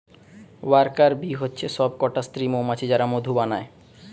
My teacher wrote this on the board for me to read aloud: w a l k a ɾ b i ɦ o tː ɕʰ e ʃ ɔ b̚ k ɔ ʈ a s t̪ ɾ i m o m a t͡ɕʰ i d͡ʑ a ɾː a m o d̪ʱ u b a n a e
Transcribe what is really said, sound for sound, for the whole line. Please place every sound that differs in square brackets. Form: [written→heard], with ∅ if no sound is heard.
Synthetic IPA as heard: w a [l→ɾ] k a ɾ b i ɦ o tː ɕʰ e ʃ ɔ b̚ k ɔ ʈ a s t̪ ɾ i m o m a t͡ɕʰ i d͡ʑ a [ɾː→ɾ] a m o d̪ʱ u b a n a e